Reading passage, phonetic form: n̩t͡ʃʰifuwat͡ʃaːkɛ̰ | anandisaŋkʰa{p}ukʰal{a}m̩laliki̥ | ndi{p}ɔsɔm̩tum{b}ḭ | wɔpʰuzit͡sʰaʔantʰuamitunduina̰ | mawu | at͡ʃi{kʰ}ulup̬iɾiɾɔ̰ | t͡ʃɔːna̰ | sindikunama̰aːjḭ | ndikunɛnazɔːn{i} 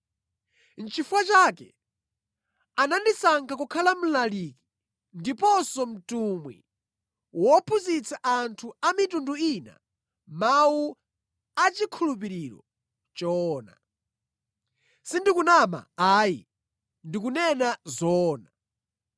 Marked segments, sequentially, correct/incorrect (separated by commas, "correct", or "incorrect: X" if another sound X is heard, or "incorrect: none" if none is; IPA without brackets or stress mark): incorrect: k, correct, correct, incorrect: w, correct, incorrect: a